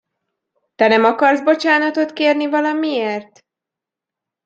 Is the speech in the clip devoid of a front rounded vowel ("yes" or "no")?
yes